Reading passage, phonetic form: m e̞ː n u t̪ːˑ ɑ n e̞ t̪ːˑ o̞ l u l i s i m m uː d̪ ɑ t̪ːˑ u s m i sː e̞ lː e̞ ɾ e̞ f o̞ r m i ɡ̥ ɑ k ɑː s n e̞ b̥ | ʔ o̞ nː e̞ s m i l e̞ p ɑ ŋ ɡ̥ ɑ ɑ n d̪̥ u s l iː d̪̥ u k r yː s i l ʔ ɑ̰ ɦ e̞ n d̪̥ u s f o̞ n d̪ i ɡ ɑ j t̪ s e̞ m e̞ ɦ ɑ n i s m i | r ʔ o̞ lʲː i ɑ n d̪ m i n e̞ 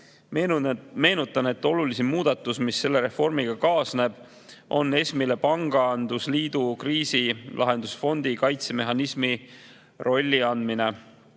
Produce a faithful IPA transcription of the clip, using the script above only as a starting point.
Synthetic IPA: m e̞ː n u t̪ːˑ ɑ n e̞ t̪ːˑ o̞ l u l i s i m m uː d̪ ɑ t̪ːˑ u s m i sː e̞ lː e̞ ɾ e̞ f o̞ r m i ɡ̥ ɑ k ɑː s n e̞ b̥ | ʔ o̞ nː e̞ s m i l e̞ p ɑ ŋ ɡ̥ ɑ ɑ n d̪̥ u s l iː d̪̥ u k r iː s i l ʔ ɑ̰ ɦ e̞ n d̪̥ u s f o̞ n d̪ i k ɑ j t̪ s e̞ m e̞ ɦ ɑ n i s m i | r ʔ o̞ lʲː i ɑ n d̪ m i n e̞